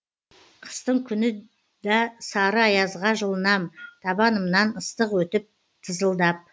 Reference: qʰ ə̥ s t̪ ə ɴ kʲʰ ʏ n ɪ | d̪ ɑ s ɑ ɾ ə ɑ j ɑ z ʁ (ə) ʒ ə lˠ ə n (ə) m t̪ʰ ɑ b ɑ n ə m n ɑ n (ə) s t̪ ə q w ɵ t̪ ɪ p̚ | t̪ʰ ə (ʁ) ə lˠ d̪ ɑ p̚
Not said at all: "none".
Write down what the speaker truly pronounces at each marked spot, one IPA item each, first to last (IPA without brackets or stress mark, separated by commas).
ɑ, ɑ, ə, z